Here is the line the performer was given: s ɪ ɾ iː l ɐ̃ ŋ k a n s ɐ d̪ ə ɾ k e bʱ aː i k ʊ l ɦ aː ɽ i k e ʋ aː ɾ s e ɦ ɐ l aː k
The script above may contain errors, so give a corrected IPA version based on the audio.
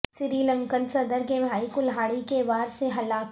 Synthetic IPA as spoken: s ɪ ɾ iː l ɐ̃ ŋ k ə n s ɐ d̪ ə ɾ k e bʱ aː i k ʊ l ɦ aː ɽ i k e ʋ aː ɾ s e ɦ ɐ l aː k

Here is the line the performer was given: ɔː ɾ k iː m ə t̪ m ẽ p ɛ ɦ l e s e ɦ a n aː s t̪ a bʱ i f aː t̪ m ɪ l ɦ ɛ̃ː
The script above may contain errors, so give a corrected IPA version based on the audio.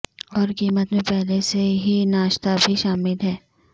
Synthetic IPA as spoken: ɔː ɾ k iː m ə t̪ m ẽ p ɛ ɦ l e s e ɦ i n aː ʃ t̪ a bʱ i ʃ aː m ɪ l ɦ ɛː

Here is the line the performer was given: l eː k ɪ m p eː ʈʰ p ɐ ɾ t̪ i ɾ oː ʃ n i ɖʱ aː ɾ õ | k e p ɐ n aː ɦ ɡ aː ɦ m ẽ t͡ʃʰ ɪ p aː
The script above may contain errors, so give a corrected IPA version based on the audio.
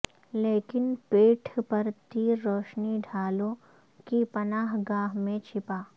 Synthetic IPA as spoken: l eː k ɪ n p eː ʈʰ p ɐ ɾ t̪ i ɾ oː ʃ n i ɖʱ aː l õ | k i p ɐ n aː ɦ ɡ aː ɦ m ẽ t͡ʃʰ ɪ p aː

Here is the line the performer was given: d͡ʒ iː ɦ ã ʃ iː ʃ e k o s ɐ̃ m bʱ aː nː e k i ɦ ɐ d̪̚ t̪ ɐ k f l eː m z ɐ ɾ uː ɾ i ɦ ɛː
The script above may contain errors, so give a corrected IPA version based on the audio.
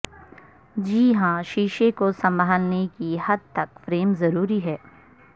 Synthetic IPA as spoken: d͡ʒ iː ɦ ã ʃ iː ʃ e k o s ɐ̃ m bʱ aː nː e k i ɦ ɐ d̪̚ t̪ ɐ k f ɾ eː m z ɐ ɾ uː ɾ i ɦ ɛː

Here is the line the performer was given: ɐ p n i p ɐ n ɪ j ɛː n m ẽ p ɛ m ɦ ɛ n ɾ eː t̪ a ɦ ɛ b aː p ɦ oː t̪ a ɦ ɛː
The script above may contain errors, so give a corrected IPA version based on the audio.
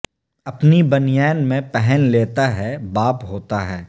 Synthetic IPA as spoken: ɐ p n i b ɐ n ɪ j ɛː n m ẽ p ɛ ɦ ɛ n l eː t̪ a ɦ ɛ b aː p ɦ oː t̪ a ɦ ɛː

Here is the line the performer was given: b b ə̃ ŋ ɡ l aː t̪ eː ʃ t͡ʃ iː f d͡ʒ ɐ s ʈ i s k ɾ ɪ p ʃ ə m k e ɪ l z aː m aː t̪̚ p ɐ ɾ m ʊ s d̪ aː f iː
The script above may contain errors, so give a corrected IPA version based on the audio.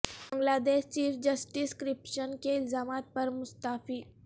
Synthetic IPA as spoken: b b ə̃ ŋ ɡ l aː d̪ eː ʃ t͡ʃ iː f d͡ʒ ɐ s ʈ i s k ɾ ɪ p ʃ ə n k e ɪ l z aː m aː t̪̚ p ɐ ɾ m ʊ s t̪ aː f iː

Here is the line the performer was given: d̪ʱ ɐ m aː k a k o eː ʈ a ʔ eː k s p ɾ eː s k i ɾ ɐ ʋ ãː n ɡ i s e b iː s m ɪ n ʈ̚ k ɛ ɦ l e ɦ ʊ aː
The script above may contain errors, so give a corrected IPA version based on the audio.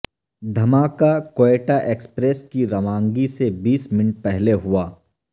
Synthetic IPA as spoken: d̪ʱ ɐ m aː k a k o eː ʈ a ʔ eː k s p ɾ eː s k i ɾ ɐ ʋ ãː ŋ ɡ i s e b iː s m ɪ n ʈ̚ p ɛ ɦ l e ɦ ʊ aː

